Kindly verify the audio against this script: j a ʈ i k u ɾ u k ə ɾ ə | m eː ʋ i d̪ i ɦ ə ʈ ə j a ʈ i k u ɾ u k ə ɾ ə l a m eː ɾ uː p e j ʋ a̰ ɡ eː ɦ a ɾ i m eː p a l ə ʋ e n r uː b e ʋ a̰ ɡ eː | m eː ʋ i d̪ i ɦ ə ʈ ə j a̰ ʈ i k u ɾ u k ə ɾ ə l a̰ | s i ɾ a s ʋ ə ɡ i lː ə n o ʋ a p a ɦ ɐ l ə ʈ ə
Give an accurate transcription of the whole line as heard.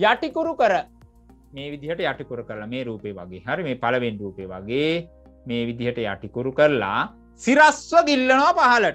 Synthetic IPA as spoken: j a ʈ i k u ɾ u k ə ɾ ə | m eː ʋ i d̪ i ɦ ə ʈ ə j a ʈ i k u ɾ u k ə ɾ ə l a m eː ɾ uː p e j ʋ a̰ ɡ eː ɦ a ɾ i m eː p a l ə ʋ e n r uː p e ʋ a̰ ɡ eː | m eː ʋ i d̪ i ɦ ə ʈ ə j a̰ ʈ i k u ɾ u k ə ɾ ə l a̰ | s i ɾ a s ʋ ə ɡ i lː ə n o ʋ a p a ɦ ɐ l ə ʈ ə